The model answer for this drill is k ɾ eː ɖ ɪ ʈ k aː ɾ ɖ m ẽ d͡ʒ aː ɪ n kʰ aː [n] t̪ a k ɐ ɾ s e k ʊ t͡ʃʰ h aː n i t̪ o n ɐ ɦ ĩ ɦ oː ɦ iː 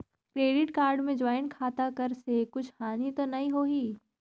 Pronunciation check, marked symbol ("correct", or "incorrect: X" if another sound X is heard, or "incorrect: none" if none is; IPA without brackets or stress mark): incorrect: none